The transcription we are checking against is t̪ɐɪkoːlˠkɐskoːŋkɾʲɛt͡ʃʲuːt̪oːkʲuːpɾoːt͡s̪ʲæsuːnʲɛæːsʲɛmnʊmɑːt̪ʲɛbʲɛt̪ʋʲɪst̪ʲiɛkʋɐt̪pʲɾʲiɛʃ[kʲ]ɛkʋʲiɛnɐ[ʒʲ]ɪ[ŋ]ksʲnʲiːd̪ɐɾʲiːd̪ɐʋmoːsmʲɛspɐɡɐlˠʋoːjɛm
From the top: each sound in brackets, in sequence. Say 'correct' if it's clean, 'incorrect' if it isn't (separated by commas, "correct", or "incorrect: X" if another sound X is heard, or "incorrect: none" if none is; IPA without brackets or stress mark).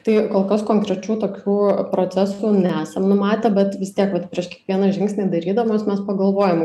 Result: correct, correct, correct